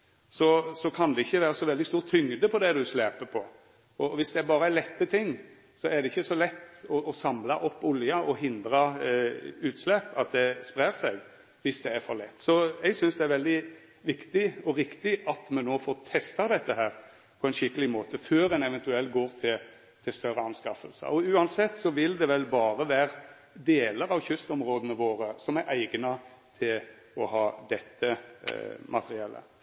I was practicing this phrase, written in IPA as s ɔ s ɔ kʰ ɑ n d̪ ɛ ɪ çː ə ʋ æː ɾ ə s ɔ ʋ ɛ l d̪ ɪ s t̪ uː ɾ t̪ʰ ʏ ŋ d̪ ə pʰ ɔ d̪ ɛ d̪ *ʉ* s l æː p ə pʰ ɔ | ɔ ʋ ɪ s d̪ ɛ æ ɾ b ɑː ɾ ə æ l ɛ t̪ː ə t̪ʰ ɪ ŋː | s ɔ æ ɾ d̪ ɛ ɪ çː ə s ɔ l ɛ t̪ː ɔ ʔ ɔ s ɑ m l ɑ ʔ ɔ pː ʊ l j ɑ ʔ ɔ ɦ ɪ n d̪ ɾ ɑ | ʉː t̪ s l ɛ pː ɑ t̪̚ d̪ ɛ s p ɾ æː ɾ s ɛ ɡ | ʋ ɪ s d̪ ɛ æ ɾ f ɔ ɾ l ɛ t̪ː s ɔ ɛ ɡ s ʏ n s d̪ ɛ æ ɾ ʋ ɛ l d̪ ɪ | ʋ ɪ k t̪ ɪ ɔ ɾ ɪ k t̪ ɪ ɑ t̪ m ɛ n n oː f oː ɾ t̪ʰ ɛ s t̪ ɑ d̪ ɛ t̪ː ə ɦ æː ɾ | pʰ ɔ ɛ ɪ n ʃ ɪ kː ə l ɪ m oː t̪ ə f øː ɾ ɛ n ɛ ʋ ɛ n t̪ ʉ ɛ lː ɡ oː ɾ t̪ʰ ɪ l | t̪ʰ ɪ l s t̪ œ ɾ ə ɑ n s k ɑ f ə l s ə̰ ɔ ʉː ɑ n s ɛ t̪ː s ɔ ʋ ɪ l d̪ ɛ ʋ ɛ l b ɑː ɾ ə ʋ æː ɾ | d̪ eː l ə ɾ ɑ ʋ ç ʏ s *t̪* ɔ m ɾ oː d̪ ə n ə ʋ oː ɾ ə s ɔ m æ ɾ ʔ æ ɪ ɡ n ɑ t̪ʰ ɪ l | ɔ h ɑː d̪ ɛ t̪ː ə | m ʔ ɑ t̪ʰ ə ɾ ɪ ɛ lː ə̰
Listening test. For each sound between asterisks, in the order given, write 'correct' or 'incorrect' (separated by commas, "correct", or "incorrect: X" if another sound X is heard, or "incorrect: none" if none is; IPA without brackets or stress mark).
correct, correct